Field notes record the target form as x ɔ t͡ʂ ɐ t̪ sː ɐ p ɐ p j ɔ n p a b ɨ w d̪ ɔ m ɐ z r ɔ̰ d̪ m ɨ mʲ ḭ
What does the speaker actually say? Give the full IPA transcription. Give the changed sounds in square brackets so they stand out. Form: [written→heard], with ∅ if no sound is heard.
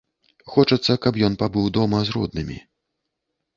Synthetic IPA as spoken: x ɔ t͡ʂ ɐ t̪ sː ɐ [p→k] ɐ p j ɔ n p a b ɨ w d̪ ɔ m ɐ z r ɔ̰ d̪ [m→n] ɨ mʲ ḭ